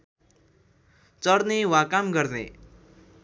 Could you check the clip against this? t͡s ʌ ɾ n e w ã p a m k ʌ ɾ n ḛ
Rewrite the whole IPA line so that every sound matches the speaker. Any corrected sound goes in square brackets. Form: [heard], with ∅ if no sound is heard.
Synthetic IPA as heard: t͡s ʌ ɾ n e w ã [k] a m [ɡ] ʌ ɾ n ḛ